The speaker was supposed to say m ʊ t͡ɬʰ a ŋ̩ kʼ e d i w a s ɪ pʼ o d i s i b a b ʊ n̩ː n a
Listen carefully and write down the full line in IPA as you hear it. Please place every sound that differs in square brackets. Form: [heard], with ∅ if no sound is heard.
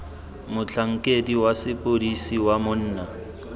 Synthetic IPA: m ʊ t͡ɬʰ a ŋ̩ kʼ e d i w a s ɪ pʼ o d i s i [w] a [m] ʊ n̩ː n a